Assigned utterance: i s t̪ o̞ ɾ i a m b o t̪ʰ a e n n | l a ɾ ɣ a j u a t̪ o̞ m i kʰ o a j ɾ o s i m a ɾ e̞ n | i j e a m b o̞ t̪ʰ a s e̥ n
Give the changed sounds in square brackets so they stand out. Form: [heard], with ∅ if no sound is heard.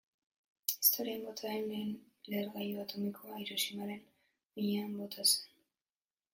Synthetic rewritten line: i s t̪ o̞ ɾ i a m b o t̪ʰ a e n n | l [e] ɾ ɣ a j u a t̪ o̞ m i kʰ o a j ɾ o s i m a ɾ e̞ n | i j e a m b o̞ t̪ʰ a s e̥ n